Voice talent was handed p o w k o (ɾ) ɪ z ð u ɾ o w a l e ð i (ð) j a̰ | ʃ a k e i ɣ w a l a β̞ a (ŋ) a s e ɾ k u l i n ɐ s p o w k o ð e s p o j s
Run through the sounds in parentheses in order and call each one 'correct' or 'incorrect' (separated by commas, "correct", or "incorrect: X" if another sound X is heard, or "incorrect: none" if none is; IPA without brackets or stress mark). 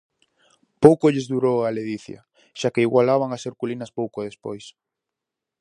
incorrect: ʎ, incorrect: θ, correct